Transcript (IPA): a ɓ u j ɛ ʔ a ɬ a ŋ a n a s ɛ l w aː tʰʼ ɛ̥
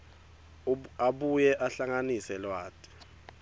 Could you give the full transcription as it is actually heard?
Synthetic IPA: a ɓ u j ɛ ʔ a ɬ a ŋ a n i s ɛ l w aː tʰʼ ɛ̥